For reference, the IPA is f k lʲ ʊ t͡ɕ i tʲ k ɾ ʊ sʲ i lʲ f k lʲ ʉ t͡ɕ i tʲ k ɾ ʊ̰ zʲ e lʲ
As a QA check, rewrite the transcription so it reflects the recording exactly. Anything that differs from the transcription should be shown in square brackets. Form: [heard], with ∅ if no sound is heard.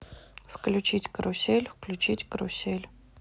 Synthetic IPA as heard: f k lʲ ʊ t͡ɕ i tʲ k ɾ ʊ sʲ [e] lʲ f k lʲ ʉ t͡ɕ i tʲ k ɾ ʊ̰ [sʲ] e lʲ